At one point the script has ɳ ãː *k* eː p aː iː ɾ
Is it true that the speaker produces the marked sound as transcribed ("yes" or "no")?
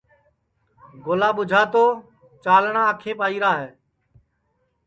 no